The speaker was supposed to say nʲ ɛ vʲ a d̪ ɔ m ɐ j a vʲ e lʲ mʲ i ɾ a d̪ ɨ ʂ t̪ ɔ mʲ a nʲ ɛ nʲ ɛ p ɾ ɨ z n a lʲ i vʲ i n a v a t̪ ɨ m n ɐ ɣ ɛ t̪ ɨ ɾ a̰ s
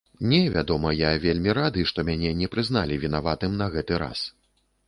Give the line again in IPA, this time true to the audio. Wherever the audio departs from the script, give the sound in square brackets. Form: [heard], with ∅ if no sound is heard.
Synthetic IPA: nʲ ɛ vʲ a d̪ ɔ m ɐ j a vʲ e lʲ mʲ i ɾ a d̪ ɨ ʂ t̪ ɔ mʲ a nʲ ɛ nʲ ɛ p ɾ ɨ z n a lʲ i vʲ i n a v a t̪ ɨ m n ɐ ɣ ɛ t̪ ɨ ɾ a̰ s